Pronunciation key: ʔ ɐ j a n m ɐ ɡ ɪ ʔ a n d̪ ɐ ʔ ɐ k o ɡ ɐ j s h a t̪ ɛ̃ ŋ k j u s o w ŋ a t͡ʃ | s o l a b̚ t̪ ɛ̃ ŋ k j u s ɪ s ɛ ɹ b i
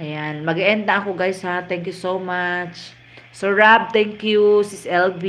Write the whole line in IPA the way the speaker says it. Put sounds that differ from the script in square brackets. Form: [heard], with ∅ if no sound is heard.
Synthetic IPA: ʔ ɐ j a n m ɐ ɡ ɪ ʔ [ɛ] n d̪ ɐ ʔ ɐ k o ɡ [a] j s h a t̪ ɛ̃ ŋ k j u s o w [m] a t͡ʃ | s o [ɹ] a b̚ t̪ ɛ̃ ŋ k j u s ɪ s ɛ [l] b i